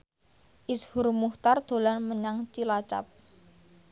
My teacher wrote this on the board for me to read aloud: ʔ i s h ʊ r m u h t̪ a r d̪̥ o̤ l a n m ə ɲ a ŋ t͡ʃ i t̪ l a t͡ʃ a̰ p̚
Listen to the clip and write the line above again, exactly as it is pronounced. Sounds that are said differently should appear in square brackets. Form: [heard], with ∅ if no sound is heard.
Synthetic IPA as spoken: ʔ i s h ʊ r m u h t̪ a r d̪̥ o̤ l a n m ə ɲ a ŋ t͡ʃ i [∅] l a t͡ʃ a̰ p̚